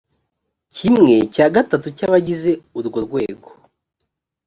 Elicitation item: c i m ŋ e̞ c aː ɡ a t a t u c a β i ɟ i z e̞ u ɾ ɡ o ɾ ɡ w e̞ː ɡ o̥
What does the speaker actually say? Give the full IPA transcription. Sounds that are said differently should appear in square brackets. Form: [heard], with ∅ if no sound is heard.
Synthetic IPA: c i m ŋ e̞ c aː ɡ a t a t u c a β [a] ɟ i z e̞ u ɾ ɡ o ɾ ɡ w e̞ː ɡ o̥